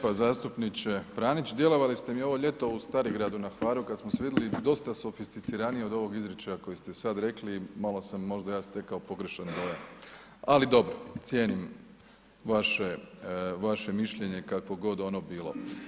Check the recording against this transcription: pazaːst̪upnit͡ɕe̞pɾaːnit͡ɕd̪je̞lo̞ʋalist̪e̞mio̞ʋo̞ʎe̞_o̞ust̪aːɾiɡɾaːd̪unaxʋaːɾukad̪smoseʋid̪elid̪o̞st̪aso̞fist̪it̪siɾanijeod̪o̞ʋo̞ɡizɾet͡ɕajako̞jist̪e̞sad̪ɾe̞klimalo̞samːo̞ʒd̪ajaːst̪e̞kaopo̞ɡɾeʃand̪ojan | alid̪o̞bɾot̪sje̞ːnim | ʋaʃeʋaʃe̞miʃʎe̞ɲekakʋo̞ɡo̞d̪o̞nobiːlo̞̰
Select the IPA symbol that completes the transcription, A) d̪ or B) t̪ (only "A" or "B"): B